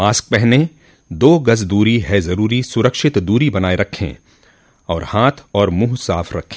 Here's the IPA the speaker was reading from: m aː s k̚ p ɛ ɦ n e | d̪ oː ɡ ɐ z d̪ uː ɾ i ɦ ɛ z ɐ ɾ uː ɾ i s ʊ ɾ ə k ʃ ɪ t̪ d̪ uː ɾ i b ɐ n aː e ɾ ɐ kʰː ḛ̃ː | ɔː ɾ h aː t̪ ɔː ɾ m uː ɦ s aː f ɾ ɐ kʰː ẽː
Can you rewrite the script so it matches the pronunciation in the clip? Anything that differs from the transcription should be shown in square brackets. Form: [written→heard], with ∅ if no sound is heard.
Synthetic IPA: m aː s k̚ p ɛ ɦ n e | d̪ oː ɡ ɐ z d̪ uː ɾ i ɦ ɛ z ɐ ɾ uː ɾ i s ʊ ɾ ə k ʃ ɪ t̪ d̪ uː ɾ i b ɐ n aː e ɾ ɐ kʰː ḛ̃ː | ɔː ɾ h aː [t̪→t̪ʰ] ɔː ɾ m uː ɦ s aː f ɾ ɐ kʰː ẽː